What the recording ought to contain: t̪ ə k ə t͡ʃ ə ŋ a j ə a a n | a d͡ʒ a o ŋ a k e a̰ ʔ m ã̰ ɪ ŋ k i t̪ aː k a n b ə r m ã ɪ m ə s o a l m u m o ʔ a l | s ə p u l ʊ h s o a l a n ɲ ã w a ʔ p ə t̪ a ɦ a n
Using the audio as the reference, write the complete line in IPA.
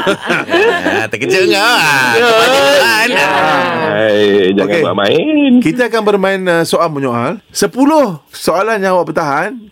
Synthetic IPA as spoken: t̪ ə k ə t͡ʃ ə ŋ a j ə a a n | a d͡ʒ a o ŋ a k e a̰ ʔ m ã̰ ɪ n k i t̪ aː k a n b ə r m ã ɪ n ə s o a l m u ɲ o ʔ a l | s ə p u l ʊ h s o a l a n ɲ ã w a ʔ p ə t̪ a ɦ a n